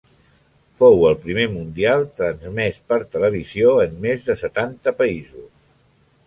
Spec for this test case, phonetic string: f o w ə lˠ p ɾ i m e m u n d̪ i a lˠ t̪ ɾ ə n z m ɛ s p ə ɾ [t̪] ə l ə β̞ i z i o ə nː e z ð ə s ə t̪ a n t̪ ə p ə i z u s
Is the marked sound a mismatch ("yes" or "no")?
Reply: no